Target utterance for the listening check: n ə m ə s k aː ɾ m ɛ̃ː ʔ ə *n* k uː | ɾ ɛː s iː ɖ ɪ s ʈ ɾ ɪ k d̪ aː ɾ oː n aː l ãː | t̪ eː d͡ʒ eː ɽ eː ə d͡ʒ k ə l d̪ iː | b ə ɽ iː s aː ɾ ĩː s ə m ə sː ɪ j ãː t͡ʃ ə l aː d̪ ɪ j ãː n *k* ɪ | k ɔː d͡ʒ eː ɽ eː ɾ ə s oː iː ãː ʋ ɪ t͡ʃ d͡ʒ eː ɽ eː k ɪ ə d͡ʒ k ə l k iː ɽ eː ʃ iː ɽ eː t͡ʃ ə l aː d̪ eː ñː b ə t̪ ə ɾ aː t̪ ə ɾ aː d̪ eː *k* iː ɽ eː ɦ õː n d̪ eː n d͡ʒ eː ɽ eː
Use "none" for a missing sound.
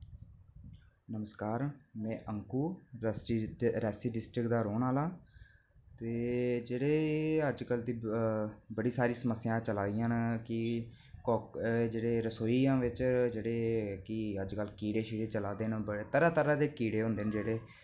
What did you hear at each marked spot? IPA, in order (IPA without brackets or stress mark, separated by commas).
ŋ, k, k